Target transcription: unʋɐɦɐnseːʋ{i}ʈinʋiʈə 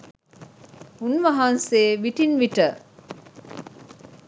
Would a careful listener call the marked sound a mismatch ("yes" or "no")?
no